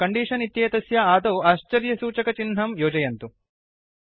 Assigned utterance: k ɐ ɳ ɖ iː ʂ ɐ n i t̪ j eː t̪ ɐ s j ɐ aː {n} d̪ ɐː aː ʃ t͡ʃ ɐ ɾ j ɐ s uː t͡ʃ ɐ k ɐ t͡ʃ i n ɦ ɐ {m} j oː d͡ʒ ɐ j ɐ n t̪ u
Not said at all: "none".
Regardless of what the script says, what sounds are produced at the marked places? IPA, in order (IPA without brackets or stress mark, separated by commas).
none, m